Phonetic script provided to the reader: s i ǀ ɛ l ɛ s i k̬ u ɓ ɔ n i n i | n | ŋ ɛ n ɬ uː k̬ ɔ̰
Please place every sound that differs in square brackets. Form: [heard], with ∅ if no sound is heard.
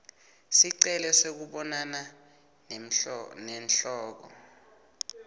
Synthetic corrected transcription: s i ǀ ɛ l ɛ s [e] k̬ u ɓ ɔ n [a] n [a] | n | [n] ɛ n ɬ [ɔː] k̬ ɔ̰